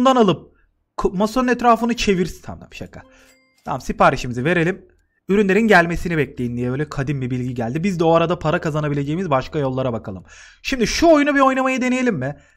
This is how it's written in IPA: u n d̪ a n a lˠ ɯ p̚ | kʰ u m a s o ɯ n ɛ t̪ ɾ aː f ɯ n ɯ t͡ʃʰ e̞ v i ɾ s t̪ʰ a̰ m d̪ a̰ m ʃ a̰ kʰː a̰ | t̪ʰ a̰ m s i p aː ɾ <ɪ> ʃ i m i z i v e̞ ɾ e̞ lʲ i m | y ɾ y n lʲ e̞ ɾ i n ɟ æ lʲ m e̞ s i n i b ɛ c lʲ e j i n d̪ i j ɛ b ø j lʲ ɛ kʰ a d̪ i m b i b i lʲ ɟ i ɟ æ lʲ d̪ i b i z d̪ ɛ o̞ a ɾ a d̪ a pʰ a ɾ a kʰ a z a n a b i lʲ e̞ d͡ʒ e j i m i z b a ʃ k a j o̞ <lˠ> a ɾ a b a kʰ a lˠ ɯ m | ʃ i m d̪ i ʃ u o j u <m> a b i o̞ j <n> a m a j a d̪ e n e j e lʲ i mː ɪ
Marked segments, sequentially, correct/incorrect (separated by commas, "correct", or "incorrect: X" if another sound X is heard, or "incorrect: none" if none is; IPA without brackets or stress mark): incorrect: i, incorrect: lˠː, incorrect: n, correct